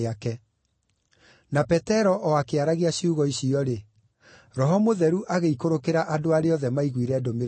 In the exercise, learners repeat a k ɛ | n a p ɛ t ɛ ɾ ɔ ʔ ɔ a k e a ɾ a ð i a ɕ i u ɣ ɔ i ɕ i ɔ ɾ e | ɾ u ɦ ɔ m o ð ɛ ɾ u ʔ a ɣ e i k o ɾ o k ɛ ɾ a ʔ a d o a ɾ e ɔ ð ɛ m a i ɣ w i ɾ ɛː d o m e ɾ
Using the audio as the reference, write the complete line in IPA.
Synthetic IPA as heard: a k ɛ | n a p ɛ t ɛ ɾ ɔ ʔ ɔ a k e a ɾ a ɣ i a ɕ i u ɣ ɔ i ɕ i ɔ ɾ e | ɾ ɔ ɦ ɔ m o ð ɛ ɾ u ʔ a ɣ e i k o ɾ o k e ɾ a ʔ a d o a ɾ e ɔ ð ɛ m a i ɣ w i ɾ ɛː d o m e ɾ